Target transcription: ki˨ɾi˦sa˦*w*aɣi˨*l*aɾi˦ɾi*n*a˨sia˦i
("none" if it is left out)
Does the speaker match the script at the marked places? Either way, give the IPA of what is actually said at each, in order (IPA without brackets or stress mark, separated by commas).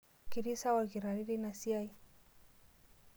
w, ɾ, n